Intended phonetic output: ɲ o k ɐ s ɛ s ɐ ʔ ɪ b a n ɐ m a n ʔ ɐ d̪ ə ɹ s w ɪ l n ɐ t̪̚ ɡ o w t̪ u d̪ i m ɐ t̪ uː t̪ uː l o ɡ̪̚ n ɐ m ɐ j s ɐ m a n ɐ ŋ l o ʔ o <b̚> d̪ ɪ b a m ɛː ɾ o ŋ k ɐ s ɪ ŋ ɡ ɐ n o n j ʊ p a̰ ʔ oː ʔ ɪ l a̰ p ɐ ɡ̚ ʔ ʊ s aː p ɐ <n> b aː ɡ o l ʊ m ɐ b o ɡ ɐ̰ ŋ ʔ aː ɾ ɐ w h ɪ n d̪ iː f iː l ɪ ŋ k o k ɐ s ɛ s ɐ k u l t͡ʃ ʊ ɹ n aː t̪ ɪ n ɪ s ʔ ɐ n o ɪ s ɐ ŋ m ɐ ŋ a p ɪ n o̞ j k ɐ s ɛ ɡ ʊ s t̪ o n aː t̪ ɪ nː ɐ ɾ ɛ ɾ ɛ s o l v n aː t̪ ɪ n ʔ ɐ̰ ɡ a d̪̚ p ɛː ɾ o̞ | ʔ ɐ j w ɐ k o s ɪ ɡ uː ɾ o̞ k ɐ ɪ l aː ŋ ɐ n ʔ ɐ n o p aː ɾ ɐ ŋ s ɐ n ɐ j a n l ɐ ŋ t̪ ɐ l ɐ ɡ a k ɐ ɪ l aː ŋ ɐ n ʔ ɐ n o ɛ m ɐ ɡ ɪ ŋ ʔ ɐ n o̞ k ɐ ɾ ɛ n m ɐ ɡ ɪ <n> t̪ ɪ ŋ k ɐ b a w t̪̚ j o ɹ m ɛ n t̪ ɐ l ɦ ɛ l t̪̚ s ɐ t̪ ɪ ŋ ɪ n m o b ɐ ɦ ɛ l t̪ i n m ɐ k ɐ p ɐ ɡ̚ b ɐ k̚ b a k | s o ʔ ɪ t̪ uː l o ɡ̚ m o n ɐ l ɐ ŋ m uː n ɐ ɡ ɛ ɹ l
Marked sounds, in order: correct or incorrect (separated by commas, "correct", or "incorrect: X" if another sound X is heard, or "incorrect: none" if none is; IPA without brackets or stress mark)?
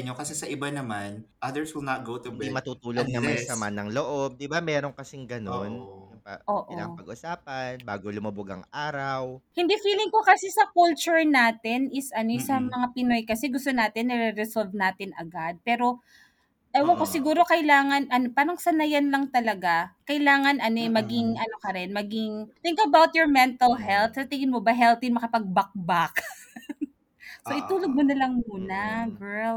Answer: correct, correct, incorrect: ŋ